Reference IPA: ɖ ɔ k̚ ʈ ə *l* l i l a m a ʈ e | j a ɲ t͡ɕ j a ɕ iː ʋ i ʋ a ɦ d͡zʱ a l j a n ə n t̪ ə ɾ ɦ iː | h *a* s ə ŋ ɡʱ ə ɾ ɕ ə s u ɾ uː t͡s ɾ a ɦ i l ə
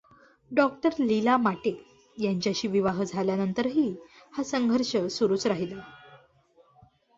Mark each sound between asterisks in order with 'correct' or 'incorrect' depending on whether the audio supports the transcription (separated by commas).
incorrect, correct